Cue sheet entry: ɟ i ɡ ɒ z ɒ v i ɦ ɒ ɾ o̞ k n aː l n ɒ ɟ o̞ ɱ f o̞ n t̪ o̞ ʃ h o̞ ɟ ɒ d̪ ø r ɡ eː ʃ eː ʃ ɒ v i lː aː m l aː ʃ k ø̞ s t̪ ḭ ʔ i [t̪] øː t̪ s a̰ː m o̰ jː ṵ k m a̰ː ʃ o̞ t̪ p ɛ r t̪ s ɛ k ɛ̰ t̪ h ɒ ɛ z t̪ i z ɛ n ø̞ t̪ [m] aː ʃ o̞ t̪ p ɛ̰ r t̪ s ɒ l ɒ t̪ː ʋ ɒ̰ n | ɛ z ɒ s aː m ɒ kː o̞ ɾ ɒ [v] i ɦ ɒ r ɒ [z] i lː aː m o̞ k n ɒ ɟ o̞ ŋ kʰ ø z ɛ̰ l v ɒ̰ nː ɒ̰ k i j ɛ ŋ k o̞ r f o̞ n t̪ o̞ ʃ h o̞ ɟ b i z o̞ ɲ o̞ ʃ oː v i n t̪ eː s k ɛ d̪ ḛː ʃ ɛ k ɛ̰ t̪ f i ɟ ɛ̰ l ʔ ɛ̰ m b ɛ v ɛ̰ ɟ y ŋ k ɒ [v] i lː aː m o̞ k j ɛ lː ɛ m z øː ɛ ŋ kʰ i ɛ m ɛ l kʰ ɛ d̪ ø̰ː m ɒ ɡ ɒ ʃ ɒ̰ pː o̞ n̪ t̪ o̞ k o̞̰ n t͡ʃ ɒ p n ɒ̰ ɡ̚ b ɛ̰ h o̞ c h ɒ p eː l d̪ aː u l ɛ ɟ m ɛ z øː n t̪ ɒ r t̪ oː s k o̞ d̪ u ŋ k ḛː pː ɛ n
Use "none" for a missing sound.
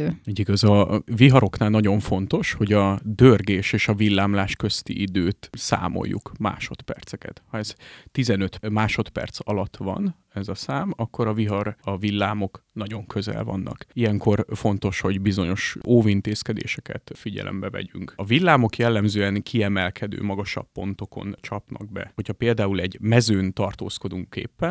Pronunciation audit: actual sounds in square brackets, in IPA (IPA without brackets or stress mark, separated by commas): d̪, m, v, v, v